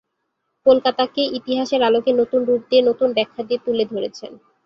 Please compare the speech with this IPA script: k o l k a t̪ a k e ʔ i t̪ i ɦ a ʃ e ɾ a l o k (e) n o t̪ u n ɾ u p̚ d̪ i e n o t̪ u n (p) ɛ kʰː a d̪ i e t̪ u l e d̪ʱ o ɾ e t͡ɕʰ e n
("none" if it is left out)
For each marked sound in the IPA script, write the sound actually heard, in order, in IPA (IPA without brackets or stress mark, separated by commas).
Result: e, b